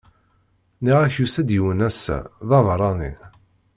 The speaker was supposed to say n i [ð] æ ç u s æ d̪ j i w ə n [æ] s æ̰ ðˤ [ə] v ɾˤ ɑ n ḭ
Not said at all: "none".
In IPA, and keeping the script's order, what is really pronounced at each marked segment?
ʁ, æ, ɑ

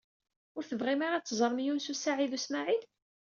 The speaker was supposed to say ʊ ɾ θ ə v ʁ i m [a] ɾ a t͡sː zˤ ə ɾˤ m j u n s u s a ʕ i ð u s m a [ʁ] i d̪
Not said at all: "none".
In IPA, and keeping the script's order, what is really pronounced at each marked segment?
a, ʕ

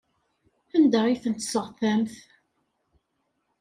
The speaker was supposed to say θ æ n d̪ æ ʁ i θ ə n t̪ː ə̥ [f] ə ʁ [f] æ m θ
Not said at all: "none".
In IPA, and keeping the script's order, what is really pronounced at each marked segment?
s, θ

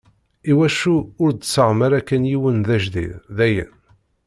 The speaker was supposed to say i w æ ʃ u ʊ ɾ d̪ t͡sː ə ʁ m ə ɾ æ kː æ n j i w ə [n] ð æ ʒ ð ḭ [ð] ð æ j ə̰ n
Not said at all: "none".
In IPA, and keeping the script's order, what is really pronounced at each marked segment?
n, ð

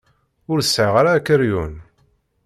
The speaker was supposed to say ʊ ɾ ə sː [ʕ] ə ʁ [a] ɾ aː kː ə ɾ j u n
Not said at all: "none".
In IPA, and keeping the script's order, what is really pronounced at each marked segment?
ʕ, a

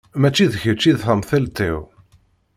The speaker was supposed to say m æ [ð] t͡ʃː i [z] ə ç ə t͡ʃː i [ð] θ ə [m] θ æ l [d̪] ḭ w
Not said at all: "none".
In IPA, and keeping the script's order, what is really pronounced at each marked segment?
none, ð, ð, m, t̪

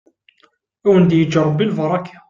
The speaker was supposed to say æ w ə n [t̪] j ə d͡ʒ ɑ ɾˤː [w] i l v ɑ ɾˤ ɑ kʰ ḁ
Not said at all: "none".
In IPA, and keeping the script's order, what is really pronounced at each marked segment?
d̪, b

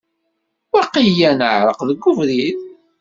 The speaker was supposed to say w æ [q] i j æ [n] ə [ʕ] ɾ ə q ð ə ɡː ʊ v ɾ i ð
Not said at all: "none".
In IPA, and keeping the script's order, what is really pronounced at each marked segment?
q, n, ʕ

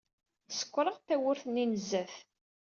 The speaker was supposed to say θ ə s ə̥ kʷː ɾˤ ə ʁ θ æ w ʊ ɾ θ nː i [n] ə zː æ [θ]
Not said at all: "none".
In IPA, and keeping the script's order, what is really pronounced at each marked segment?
n, θ

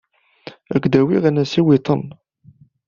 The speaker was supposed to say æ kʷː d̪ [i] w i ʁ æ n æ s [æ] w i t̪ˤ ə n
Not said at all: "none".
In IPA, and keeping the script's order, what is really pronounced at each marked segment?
æ, i

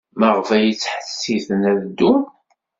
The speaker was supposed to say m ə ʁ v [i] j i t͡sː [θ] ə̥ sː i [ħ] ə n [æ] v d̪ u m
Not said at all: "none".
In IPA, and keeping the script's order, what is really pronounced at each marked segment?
æ, ħ, θ, æ

